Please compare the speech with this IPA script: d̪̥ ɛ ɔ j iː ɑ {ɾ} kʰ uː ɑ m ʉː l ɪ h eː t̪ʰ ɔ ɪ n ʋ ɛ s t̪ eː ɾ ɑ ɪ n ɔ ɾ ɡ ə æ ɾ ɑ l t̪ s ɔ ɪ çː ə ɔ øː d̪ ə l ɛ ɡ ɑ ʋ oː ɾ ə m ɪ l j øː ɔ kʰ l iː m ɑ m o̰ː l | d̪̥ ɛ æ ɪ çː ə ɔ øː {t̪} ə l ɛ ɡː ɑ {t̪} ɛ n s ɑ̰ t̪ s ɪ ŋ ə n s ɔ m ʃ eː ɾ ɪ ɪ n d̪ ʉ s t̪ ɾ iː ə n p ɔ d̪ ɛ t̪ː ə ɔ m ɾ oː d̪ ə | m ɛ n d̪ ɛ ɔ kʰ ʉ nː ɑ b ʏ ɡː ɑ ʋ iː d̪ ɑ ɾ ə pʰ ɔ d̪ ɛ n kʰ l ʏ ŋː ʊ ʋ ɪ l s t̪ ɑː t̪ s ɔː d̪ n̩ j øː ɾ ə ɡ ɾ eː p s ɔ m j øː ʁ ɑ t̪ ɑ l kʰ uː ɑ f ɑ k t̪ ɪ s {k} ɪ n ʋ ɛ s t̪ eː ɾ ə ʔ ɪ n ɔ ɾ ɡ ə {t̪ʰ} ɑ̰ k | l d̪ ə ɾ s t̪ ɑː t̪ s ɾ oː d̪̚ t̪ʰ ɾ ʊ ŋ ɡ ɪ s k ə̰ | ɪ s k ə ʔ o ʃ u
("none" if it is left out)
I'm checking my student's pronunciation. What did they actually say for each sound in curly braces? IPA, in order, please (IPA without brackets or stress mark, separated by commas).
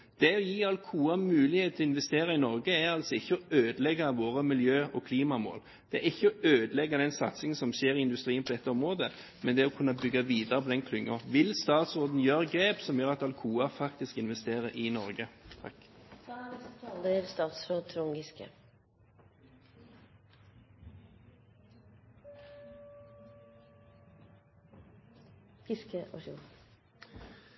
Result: l, d̪, d̪, k, t̪ʰ